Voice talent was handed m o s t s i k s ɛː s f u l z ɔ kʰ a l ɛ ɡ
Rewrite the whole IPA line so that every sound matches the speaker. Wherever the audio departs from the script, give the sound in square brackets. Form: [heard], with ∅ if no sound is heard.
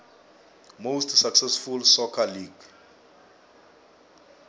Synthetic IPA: m o s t s [a] k s [ɛ] s f u l [s] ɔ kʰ a l [i] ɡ